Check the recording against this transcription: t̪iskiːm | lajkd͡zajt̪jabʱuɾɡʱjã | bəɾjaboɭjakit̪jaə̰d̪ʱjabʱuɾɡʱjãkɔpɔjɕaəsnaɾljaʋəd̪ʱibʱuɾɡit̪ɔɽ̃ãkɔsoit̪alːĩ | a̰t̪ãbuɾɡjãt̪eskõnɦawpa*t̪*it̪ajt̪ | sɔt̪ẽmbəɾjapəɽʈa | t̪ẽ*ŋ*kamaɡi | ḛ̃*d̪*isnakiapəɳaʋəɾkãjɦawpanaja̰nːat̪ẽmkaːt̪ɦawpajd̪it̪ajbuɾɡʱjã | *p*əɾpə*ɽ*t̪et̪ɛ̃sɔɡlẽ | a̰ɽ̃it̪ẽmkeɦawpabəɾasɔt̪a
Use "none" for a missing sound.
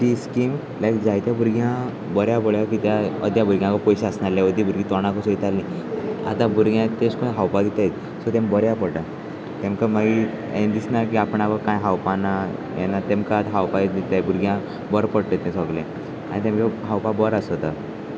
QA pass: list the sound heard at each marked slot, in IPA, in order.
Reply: d̪, m, d̪, b, ɽ

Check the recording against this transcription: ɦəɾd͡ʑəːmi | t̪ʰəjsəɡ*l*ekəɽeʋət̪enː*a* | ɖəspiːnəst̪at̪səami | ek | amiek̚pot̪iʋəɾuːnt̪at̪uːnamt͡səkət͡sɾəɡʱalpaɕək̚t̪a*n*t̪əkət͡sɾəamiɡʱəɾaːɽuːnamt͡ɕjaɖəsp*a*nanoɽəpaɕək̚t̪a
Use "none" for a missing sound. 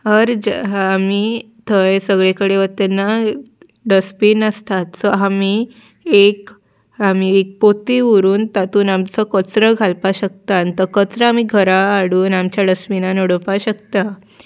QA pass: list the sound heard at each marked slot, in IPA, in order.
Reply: ɭ, a, n, i

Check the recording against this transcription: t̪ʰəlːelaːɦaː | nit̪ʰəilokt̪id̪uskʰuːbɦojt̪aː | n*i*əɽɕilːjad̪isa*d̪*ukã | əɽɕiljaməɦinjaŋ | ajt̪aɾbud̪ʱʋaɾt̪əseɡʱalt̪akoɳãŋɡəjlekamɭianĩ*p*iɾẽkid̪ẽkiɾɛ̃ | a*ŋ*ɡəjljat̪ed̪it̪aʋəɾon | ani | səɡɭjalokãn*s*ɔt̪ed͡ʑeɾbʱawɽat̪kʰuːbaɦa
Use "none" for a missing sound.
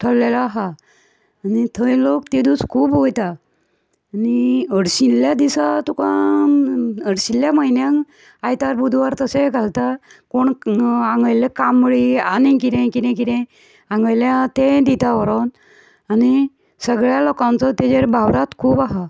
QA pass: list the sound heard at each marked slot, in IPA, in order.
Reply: i, t̪, k, ŋ, t͡s

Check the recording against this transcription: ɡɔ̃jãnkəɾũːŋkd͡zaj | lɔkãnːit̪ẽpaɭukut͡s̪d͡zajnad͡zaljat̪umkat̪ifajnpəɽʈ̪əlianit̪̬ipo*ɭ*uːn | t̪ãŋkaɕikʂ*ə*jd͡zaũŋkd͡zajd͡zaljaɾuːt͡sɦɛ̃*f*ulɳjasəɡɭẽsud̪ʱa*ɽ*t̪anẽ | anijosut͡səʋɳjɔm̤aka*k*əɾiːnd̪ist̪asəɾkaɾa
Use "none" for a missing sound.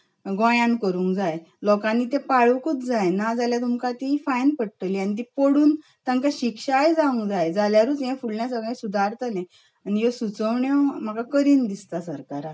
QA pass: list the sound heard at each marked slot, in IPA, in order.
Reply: ɽ, a, f, ɾ, k

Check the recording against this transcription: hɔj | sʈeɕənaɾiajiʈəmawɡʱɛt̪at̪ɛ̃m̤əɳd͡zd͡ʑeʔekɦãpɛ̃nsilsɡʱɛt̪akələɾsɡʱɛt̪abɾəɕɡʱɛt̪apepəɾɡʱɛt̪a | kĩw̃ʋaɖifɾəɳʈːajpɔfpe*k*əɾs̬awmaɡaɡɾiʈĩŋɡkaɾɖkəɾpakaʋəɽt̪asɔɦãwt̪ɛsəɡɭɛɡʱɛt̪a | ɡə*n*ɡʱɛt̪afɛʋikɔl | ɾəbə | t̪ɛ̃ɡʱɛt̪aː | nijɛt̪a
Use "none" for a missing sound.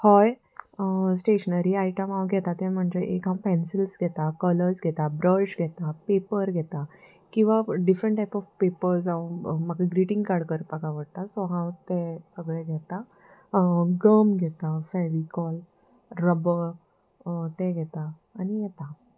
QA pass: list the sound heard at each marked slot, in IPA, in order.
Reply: p, m

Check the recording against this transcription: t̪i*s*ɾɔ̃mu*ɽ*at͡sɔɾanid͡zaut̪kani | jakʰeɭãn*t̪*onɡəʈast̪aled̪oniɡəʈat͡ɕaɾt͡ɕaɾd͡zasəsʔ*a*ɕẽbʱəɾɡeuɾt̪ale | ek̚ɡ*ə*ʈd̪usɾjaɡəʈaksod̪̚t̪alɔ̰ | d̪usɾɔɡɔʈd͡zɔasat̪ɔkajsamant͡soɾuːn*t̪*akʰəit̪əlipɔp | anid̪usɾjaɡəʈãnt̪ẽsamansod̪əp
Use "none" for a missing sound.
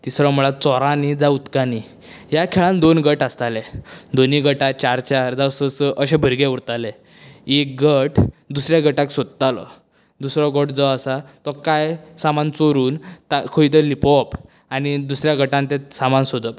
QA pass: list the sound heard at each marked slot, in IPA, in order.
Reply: s, ɭ, d̪, ə, ə, t̪

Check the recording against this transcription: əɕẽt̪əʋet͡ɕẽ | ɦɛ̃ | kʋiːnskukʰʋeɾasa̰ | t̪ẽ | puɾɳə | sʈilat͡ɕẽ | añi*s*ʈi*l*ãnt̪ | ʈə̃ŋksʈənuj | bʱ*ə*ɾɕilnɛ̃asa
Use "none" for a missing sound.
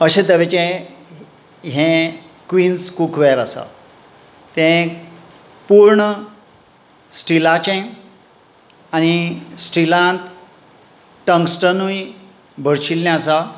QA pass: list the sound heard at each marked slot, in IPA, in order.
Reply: s, l, ə

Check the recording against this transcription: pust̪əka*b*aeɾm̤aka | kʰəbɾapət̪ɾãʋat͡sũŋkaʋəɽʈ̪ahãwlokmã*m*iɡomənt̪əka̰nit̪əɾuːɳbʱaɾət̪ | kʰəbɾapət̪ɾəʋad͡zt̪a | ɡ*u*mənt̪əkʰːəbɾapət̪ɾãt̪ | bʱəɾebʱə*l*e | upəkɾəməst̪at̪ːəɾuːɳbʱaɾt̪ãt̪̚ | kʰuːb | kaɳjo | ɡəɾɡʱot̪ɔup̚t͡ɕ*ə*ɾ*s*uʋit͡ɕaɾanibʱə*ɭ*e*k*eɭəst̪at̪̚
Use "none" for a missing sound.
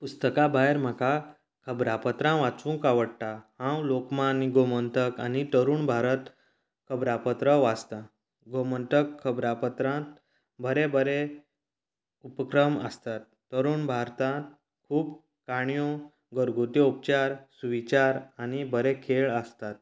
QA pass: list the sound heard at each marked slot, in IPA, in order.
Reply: b, n, o, ɾ, a, s, ɾ, kʰ

